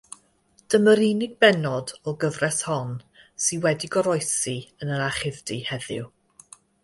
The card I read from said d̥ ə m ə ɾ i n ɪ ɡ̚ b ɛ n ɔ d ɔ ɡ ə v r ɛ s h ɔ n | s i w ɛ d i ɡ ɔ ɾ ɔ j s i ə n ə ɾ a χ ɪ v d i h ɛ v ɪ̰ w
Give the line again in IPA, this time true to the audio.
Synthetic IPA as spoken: d̥ ə m ə ɾ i n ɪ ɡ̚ b ɛ n ɔ d ɔ ɡ ə v r ɛ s h ɔ n | s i w ɛ d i ɡ ɔ ɾ ɔ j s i ə n ə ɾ a χ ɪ v d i h ɛ ð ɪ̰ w